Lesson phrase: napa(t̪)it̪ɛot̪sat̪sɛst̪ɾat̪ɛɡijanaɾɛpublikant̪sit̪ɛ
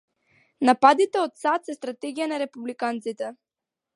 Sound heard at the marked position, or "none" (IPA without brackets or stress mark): d̪